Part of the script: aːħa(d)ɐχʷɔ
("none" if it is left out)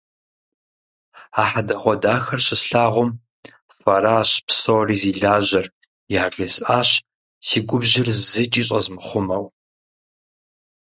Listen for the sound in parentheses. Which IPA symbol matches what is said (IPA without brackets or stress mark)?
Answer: d